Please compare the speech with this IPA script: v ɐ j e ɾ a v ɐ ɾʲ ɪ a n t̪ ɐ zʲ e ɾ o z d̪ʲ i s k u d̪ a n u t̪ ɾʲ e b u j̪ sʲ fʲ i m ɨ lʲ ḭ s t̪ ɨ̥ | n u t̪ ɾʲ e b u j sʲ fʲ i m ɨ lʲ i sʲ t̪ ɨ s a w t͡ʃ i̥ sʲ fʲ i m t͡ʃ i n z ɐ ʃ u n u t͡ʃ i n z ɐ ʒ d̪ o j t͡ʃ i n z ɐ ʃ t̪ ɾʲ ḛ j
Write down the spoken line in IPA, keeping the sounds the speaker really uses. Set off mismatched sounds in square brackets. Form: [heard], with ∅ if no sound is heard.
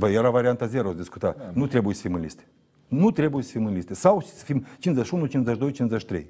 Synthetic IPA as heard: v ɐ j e ɾ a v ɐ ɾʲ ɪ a n t̪ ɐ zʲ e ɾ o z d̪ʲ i s k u [t̪] a n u t̪ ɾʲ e b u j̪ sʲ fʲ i m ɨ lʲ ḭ s t̪ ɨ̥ | n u t̪ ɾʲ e b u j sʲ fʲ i m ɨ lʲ i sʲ t̪ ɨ s a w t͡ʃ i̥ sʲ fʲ i m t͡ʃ i n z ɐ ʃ u n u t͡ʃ i n z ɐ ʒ d̪ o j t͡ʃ i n z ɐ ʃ t̪ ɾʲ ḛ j